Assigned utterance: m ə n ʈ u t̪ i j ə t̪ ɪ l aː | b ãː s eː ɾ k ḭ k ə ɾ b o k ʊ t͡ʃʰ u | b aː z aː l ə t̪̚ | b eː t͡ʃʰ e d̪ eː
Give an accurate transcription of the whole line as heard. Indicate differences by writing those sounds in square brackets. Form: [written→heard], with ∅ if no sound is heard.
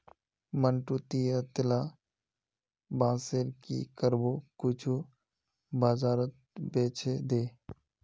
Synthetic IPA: m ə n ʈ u t̪ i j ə t̪ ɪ l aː | b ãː s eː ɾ k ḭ k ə ɾ b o k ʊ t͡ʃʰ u | b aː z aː [l→ɾ] ə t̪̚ | b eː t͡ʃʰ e d̪ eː